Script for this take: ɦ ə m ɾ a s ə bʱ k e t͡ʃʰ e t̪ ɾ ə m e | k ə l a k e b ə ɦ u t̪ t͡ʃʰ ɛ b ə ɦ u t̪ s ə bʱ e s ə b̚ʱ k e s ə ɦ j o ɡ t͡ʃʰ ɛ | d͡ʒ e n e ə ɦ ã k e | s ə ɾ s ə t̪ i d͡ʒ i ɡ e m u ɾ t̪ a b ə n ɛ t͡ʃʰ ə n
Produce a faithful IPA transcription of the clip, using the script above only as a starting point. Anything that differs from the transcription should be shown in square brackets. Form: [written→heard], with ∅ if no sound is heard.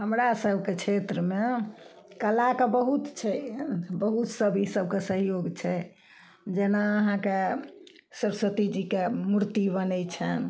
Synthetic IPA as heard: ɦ ə m ɾ a s ə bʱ k e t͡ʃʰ e t̪ ɾ ə m e | k ə l a k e b ə ɦ u t̪ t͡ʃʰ ɛ b ə ɦ u t̪ s ə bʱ [e→i] s ə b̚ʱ k e s ə ɦ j o ɡ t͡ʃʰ ɛ | d͡ʒ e n [e→a] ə ɦ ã k e | s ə ɾ s ə t̪ i d͡ʒ i [ɡ→k] e m u ɾ t̪ [a→i] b ə n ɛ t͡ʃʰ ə n